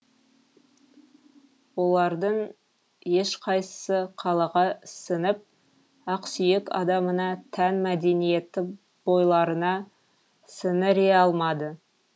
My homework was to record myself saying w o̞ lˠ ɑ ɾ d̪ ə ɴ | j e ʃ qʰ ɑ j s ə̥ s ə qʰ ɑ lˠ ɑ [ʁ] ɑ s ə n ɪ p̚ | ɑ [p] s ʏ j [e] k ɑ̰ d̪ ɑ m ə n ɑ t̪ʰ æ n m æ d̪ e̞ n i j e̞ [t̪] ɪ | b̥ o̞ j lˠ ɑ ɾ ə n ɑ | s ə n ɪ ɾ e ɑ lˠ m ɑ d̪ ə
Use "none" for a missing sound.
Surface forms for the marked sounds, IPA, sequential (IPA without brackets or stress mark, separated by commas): ʁ, q, e, t̪